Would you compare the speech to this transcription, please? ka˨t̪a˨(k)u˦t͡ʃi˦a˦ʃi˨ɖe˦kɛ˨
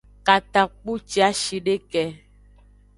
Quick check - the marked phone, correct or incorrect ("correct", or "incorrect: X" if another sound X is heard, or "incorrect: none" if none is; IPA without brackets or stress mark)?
incorrect: k͡p